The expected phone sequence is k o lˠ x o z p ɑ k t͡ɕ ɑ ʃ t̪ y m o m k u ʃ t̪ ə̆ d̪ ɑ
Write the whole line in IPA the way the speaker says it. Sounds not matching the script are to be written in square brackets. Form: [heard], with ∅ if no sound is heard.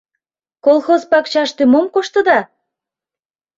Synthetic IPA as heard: k o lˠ x o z p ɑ k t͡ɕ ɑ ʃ t̪ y m o m k [o] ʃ t̪ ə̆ d̪ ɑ